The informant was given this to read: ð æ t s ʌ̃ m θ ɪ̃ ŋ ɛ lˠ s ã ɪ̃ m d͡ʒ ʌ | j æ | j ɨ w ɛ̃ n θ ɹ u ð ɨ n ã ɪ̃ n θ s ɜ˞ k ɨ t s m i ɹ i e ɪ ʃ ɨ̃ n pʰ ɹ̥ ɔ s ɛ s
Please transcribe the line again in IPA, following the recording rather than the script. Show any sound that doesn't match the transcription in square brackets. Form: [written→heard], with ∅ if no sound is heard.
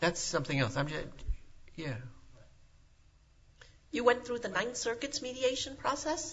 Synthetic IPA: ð æ t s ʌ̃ m θ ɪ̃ ŋ ɛ lˠ s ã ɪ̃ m d͡ʒ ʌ | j æ | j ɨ w ɛ̃ n θ ɹ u ð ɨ n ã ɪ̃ n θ s ɜ˞ k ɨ t s m i [ɹ→ɾ] i e ɪ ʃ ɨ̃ n pʰ ɹ̥ ɔ s ɛ s